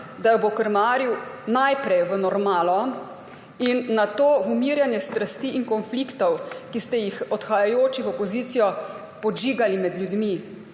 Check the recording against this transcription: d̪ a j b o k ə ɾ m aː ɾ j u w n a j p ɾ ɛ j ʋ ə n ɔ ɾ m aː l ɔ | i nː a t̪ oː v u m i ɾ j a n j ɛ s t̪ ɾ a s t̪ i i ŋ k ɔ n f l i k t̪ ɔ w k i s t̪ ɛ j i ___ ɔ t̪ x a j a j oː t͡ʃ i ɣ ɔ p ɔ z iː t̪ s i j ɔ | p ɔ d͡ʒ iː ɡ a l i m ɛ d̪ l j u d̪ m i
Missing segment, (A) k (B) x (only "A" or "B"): B